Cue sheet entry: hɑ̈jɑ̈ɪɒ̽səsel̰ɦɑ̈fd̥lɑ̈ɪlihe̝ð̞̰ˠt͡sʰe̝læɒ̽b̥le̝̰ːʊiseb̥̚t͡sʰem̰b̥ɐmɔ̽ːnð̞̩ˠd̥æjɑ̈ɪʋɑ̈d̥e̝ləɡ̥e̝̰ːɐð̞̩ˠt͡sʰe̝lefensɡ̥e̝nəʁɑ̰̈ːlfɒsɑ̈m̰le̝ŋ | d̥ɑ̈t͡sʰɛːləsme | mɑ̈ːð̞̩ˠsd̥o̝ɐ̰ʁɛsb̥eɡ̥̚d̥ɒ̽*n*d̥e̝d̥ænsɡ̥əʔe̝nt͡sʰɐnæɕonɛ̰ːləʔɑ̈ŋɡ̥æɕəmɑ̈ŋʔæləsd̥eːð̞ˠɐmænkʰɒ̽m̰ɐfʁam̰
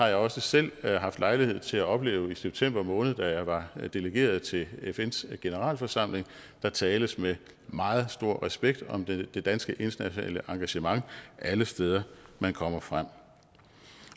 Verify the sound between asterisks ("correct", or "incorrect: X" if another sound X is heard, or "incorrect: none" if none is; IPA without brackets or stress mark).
incorrect: m